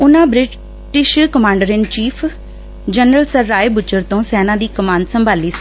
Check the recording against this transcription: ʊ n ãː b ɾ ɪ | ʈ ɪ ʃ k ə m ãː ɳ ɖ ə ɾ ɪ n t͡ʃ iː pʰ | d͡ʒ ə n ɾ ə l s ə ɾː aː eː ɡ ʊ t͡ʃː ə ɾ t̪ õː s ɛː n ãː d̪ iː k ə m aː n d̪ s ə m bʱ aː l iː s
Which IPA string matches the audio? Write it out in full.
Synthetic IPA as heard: ʊ n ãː b ɾ ɪ | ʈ ɪ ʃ k ə m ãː ɳ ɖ ə ɾ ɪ n t͡ʃ iː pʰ | d͡ʒ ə n ɾ ə l s ə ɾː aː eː b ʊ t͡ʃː ə ɾ t̪ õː s ɛː n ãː d̪ iː k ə m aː n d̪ s ə m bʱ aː l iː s